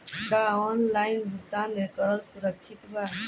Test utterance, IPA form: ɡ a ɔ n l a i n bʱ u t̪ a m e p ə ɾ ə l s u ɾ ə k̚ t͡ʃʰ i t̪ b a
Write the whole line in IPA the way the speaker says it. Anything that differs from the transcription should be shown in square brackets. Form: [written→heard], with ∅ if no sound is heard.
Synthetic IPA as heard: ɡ a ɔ n l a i n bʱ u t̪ a [m→n] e [p→k] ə ɾ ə l s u ɾ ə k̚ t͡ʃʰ i t̪ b a